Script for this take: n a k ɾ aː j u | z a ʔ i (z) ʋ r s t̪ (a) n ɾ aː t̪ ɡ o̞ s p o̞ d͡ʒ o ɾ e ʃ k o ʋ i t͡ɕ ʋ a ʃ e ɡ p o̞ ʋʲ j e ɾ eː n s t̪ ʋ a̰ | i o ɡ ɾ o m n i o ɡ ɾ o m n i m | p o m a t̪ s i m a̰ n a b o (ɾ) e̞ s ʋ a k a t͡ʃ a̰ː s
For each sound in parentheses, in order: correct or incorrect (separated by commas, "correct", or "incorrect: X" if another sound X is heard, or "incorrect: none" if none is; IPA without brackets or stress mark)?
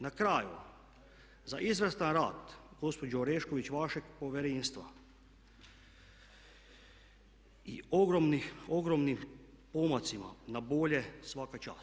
correct, correct, incorrect: ʎ